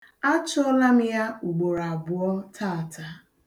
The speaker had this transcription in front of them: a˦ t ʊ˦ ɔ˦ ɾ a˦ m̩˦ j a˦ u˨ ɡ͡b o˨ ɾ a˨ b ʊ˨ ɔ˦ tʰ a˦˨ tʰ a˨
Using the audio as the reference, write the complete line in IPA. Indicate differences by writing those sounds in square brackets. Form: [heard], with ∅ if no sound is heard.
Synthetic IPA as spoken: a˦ [t͡ʃ] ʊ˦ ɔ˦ [l] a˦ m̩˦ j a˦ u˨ ɡ͡b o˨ ɾ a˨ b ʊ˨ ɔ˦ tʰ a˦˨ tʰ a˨

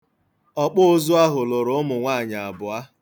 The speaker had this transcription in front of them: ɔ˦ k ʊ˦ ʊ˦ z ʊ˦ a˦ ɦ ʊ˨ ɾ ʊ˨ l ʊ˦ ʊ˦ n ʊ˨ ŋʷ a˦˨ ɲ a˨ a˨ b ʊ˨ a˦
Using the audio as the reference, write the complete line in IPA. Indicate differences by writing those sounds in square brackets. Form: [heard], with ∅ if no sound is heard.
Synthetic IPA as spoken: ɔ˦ [k͡p] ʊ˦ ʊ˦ z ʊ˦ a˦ ɦ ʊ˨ [l] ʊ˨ [ɾ] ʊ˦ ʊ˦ [m] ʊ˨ ŋʷ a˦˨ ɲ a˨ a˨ b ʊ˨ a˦

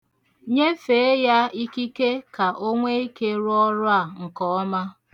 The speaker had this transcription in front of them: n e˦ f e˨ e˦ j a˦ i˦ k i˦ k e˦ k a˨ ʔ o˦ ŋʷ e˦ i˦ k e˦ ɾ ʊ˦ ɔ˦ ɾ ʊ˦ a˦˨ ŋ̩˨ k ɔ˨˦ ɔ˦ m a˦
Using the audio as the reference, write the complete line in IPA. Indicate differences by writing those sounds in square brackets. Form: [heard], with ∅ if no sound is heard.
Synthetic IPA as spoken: [ɲ] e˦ f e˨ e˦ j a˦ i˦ k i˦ k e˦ k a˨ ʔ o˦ ŋʷ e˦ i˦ k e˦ ɾ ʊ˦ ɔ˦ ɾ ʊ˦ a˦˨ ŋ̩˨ k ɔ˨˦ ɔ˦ m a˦

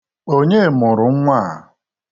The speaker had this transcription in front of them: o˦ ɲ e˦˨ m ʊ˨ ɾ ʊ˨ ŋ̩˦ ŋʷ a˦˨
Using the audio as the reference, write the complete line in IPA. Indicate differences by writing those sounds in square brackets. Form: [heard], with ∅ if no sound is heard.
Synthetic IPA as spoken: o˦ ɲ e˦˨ m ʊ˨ ɾ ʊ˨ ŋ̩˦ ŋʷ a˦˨

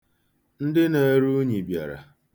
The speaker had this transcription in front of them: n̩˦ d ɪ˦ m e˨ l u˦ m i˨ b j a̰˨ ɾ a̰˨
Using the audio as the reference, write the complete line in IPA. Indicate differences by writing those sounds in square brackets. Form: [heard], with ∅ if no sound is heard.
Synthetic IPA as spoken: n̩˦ d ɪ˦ [n] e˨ [ɾ] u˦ [ɲ] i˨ b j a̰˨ ɾ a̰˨

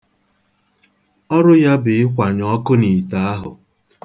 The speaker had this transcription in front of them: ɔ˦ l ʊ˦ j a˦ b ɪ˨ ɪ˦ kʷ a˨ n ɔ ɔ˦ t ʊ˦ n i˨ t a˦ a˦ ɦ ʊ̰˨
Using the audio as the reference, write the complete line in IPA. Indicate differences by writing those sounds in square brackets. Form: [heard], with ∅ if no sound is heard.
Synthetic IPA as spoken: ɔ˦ [ɾ] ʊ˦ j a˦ b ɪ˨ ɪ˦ kʷ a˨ [ɲ] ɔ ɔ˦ [k] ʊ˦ n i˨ t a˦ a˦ ɦ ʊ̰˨

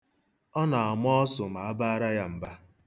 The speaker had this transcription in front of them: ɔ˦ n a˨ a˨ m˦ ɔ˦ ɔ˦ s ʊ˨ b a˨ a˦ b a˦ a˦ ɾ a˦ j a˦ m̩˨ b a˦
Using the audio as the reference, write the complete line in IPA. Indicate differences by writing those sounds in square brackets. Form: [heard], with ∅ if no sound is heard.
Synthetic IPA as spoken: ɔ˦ n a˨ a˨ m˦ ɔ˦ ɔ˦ s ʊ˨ [m] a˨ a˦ b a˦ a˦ ɾ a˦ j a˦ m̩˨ b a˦

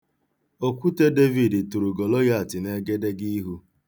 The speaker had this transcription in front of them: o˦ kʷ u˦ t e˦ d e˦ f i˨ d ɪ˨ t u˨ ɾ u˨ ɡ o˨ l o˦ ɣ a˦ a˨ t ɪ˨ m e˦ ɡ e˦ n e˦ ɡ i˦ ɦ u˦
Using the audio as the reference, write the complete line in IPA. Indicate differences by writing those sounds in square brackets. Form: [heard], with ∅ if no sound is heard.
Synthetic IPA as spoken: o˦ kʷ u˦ t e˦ d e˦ [v] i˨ d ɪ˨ t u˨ ɾ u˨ ɡ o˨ l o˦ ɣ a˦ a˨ t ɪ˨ [n] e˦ ɡ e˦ [d] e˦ ɡ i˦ ɦ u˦

